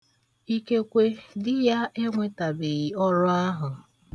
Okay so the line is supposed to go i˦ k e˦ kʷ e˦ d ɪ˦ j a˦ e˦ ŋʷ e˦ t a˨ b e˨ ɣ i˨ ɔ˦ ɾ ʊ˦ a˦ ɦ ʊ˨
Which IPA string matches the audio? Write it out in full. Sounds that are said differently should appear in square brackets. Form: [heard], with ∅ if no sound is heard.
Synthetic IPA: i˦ k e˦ kʷ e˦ d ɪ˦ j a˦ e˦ ŋʷ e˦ t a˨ b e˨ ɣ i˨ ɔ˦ ɾ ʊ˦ a˦ ɦ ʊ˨